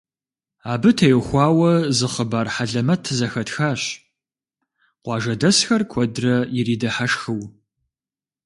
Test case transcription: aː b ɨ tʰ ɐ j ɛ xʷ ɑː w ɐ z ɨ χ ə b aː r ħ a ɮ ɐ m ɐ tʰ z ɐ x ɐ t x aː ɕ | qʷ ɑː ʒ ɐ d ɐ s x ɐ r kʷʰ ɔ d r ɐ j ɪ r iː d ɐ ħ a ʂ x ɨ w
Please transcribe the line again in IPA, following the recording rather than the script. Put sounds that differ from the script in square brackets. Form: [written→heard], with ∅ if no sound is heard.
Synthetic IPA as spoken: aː b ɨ tʰ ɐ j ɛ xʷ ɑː w ɐ z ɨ χ ə b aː r ħ a ɮ ɐ m ɐ tʰ z ɐ x ɐ t x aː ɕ | qʷ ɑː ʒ ɐ d ɐ s x ɐ r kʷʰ ɔ d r ɐ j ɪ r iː d ɐ ħ a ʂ x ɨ w